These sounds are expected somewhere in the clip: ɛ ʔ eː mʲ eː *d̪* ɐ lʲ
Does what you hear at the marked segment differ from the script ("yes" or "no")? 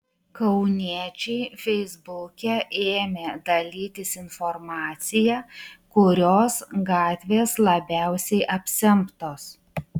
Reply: no